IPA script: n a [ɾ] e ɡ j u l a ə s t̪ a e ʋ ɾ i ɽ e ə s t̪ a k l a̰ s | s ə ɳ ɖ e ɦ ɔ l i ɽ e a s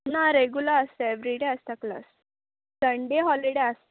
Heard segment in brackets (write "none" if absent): ɾ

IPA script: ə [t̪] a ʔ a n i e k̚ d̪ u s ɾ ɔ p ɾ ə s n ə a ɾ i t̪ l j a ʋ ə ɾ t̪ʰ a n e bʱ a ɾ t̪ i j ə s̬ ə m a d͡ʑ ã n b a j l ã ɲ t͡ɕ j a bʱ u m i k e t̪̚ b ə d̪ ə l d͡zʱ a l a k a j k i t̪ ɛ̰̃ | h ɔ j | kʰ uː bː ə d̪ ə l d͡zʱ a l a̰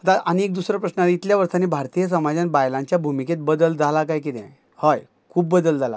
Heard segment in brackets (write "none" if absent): t̪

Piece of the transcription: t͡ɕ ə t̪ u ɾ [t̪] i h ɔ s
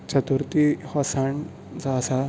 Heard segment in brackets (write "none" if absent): t̪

